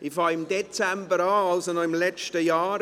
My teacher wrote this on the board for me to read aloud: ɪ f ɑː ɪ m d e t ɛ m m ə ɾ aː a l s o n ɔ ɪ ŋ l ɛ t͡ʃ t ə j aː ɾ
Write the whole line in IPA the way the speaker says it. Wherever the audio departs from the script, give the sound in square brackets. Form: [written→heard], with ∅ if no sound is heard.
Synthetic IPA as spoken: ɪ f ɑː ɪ m d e [t→t͡s] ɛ m [m→b] ə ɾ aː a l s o n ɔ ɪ [ŋ→m] l ɛ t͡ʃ t ə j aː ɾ